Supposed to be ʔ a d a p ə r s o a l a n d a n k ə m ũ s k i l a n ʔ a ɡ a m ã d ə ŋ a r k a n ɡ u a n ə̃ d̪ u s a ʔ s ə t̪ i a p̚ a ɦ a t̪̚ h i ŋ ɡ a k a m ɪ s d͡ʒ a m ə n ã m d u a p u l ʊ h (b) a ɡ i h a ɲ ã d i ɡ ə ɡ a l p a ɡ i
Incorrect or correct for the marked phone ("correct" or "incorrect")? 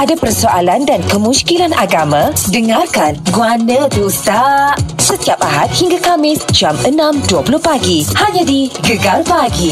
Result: incorrect